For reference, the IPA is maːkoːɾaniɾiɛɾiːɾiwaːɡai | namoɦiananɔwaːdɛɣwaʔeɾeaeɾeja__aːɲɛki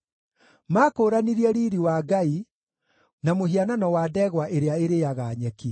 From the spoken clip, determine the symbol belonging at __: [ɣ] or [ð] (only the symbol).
ɣ